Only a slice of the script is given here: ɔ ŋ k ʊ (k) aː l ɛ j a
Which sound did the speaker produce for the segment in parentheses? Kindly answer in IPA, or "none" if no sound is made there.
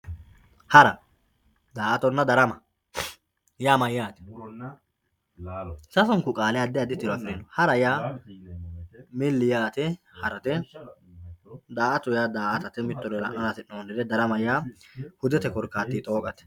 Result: kʼ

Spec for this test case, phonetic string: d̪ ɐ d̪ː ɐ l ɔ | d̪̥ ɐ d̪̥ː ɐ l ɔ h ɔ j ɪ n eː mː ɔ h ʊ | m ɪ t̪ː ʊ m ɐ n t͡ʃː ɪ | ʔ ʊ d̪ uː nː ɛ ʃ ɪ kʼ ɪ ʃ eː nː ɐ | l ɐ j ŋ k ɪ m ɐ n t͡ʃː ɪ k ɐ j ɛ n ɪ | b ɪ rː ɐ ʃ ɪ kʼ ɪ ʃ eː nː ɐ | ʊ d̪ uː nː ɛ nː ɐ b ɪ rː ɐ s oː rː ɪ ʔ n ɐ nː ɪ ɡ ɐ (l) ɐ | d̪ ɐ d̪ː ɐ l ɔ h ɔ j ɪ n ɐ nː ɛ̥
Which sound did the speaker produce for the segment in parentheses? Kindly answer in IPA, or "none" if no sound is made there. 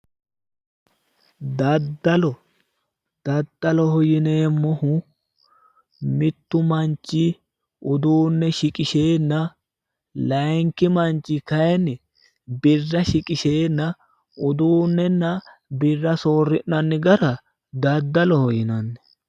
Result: ɾ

